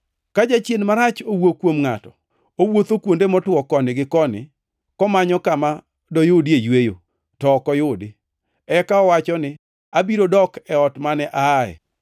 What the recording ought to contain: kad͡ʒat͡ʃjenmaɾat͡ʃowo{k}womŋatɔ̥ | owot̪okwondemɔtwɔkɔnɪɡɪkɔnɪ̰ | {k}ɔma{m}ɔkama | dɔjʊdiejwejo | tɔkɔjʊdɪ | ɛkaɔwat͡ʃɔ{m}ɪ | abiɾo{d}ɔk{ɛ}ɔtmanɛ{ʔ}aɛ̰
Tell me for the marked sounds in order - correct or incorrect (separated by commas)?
correct, correct, incorrect, incorrect, correct, correct, correct